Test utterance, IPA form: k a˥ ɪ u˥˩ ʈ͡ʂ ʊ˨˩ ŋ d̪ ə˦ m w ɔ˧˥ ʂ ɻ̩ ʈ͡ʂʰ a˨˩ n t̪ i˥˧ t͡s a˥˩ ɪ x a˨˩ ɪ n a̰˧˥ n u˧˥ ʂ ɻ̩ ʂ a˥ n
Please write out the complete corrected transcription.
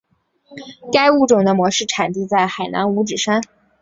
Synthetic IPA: k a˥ ɪ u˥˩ ʈ͡ʂ ʊ˨˩ ŋ d̪ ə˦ m w ɔ˧˥ ʂ ɻ̩ ʈ͡ʂʰ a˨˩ n t̪ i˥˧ t͡s a˥˩ ɪ x a˨˩ ɪ n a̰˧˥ n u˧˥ ʈ͡ʂ ɻ̩ ʂ a˥ n